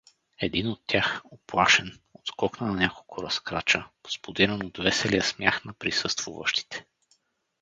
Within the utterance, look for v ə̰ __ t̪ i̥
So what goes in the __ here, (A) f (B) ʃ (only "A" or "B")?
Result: B